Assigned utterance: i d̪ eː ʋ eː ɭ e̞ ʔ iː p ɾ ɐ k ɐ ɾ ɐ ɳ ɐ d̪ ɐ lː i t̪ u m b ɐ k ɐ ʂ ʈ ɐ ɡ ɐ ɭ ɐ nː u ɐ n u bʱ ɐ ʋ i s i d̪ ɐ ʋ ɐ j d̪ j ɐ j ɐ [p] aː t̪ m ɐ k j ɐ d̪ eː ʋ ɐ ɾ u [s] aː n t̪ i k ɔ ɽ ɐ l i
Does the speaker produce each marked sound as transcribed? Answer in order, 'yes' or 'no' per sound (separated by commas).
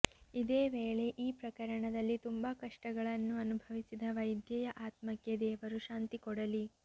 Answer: no, no